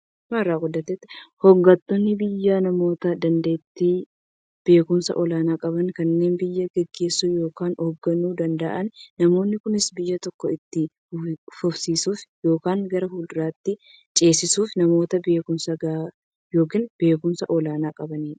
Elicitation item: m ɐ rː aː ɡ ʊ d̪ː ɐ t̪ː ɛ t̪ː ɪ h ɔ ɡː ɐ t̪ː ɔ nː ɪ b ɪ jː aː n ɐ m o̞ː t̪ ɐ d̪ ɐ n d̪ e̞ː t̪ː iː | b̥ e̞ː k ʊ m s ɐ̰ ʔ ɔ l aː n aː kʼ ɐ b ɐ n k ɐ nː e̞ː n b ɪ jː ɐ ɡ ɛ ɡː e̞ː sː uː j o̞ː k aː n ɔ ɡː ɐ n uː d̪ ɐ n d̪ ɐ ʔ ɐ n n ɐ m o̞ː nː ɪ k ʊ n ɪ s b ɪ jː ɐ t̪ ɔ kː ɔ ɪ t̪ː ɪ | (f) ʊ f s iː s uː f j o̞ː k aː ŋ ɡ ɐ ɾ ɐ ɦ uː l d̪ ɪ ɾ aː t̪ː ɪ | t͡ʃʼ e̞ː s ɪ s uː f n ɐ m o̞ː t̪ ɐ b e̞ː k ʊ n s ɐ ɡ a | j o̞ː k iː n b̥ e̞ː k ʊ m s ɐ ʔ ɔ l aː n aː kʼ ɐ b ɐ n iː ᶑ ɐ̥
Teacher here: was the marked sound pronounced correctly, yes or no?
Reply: yes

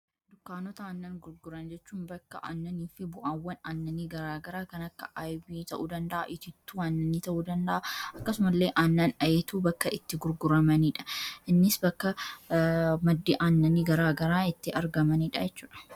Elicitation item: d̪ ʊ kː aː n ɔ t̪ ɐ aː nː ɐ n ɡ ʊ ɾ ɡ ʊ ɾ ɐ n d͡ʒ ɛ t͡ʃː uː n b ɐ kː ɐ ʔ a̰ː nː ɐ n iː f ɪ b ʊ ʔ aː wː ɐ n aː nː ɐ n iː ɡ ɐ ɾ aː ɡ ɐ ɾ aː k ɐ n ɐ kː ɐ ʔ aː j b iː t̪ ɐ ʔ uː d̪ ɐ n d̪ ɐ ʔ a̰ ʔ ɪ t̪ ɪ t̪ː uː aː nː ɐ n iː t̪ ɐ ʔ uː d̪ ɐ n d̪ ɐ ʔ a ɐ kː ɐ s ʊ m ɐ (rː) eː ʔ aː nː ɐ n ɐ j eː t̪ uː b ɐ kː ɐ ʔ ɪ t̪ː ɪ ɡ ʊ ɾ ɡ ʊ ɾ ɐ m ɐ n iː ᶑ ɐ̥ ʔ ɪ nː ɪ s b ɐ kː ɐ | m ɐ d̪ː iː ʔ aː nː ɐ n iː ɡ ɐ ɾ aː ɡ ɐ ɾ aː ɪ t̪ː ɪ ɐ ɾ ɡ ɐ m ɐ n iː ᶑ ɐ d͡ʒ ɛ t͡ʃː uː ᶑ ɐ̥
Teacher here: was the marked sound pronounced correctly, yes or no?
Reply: no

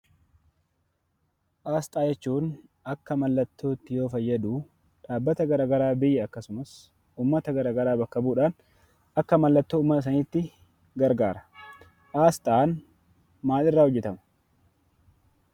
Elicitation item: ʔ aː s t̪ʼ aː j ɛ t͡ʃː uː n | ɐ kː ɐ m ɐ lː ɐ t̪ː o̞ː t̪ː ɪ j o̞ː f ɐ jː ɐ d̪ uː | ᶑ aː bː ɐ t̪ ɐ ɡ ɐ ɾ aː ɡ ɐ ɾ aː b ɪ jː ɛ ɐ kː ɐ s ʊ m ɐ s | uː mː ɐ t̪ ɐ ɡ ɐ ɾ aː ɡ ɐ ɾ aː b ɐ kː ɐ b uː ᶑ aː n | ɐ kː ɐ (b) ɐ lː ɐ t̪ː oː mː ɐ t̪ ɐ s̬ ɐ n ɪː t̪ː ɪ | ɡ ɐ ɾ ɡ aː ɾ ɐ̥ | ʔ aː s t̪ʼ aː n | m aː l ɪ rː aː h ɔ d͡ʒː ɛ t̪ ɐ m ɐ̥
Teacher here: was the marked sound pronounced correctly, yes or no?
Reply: no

